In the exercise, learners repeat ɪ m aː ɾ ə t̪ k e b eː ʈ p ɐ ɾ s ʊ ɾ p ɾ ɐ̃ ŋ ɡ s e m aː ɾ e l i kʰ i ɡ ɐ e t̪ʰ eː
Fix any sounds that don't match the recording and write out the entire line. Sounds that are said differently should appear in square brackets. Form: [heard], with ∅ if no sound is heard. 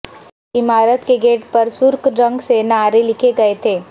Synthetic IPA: ɪ m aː ɾ ə t̪ k e [ɡ] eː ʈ p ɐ ɾ s ʊ ɾ [k] ɾ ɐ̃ ŋ ɡ s e [n] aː ɾ e l [ɪ] kʰ [e] ɡ ɐ e t̪ʰ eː